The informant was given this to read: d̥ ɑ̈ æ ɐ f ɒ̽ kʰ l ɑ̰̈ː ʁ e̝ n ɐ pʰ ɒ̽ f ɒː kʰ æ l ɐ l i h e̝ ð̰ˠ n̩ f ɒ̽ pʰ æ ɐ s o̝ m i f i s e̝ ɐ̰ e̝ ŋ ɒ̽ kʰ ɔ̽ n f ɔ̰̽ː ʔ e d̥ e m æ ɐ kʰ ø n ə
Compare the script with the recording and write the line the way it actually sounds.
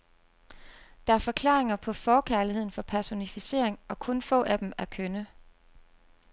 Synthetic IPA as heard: d̥ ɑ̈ æ ɐ f ɒ̽ kʰ l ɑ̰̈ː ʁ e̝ ŋ ɐ pʰ ɒ̽ f ɒː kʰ æ ɐ l i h e̝ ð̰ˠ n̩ f ɒ̽ pʰ æ ɐ s o̝ n i f i s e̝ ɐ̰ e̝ ŋ ɒ̽ kʰ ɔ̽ n f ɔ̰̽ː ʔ æ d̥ e m æ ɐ kʰ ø n ə